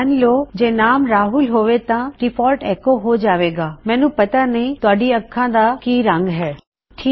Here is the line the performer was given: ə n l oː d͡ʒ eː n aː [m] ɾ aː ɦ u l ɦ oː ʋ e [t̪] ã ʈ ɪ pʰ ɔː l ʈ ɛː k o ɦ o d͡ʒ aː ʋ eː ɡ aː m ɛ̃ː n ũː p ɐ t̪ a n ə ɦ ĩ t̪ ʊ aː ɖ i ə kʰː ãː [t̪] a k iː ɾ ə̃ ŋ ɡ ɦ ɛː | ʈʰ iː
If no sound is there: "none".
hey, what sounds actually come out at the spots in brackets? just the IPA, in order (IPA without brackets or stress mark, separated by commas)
m, t̪, d̪